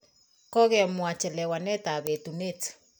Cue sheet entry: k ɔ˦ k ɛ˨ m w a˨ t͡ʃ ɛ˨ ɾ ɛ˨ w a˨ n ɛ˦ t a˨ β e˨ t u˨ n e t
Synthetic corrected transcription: k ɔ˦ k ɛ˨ m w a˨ t͡ʃ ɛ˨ l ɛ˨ w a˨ n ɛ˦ t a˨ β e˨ t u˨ n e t

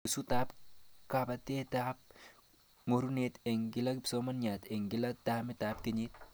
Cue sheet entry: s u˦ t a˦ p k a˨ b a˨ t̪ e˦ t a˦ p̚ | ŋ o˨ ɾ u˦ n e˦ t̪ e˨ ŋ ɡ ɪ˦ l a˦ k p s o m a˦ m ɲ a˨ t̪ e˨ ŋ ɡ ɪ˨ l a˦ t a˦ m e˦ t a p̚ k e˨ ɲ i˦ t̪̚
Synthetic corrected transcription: s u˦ t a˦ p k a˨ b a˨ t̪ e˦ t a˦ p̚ | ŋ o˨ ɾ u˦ n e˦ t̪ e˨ ŋ ɡ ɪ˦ l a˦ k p s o m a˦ n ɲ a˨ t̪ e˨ ŋ ɡ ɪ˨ l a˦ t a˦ m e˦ t a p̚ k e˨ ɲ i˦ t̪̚

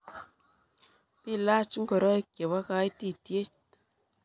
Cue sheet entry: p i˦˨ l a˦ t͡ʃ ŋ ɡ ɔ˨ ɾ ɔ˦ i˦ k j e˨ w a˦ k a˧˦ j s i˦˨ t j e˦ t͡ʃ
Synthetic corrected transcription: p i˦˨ l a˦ t͡ʃ ŋ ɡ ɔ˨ ɾ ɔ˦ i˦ k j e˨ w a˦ k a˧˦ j t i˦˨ t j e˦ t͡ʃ

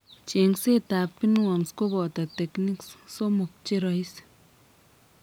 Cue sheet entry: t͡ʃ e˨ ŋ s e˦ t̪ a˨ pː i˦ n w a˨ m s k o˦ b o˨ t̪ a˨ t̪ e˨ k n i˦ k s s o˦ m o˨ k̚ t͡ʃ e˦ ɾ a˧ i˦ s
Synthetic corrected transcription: t͡ʃ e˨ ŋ s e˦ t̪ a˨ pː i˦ n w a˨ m s k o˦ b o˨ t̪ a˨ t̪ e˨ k n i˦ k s s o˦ m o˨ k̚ t͡ʃ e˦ ɾ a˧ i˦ s

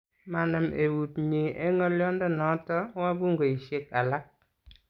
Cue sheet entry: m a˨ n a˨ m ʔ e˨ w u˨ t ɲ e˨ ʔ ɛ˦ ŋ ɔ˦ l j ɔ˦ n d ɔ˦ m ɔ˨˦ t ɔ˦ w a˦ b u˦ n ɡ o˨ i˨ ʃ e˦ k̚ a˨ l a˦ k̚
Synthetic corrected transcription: m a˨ n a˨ m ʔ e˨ w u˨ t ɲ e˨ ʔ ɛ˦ ŋ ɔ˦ l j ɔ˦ n d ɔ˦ n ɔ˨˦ t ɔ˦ w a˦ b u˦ ŋ ɡ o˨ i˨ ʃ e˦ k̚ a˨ l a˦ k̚

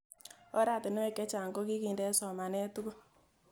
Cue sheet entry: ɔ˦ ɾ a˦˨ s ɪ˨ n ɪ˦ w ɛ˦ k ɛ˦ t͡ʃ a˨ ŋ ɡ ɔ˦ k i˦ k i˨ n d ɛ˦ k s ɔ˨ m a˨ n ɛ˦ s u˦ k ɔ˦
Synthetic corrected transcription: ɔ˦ ɾ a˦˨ t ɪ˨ n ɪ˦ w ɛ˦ k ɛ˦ t͡ʃ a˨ ŋ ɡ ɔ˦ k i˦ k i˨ n d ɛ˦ s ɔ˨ m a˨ n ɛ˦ t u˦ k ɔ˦

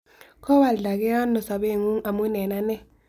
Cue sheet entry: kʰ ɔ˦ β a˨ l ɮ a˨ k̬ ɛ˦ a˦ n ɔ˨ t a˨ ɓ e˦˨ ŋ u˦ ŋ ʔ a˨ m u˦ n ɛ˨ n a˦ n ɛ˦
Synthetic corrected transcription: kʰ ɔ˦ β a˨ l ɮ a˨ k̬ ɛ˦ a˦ n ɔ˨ s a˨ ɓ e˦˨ ŋ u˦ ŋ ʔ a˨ m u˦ n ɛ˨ n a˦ n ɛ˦

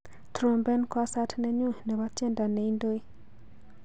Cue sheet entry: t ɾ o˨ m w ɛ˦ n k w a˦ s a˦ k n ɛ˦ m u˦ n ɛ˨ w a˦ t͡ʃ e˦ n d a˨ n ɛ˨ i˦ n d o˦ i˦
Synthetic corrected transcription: t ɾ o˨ m b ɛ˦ n k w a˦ s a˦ t n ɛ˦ ɲ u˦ n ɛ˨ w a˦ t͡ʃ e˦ n d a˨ n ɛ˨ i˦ n d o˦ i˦

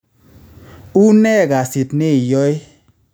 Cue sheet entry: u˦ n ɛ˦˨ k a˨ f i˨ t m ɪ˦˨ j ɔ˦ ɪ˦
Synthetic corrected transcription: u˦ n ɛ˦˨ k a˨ s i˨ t n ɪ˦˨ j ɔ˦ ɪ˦

